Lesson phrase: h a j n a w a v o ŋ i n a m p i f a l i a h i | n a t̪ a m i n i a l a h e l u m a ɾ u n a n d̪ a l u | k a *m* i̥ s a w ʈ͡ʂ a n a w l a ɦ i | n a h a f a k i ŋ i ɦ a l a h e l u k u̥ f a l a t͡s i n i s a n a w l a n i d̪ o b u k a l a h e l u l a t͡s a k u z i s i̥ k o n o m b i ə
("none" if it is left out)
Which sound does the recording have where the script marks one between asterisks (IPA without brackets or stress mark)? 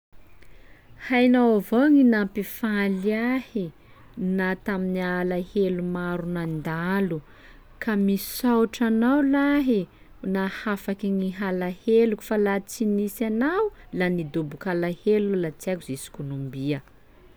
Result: m